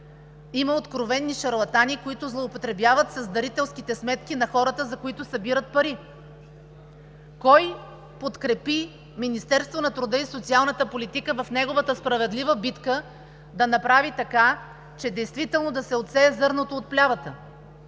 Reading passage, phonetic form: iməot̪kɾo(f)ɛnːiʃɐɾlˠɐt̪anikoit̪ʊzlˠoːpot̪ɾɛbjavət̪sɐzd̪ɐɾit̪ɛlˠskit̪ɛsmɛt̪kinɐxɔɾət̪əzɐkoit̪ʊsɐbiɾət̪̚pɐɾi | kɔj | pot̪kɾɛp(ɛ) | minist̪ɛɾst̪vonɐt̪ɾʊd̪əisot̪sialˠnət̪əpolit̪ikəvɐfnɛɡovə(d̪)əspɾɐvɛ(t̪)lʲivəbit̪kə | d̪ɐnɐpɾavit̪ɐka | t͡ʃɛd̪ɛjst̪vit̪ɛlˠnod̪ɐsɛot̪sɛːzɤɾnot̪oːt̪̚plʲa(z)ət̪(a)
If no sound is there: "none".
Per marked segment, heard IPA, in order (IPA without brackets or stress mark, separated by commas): v, i, t̪, d̪, v, ə